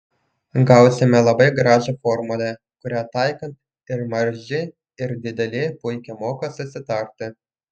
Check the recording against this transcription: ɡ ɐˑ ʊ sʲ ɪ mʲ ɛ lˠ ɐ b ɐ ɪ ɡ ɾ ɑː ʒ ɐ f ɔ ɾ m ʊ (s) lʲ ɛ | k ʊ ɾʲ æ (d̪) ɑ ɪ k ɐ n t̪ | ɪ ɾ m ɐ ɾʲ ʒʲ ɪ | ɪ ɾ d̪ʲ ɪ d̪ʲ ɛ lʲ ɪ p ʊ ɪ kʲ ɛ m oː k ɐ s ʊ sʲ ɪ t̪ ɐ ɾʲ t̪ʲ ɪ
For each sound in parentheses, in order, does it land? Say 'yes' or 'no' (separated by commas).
no, no